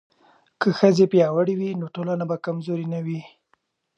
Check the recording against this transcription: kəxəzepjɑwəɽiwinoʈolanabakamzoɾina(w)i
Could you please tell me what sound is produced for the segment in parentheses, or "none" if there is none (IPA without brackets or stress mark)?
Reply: w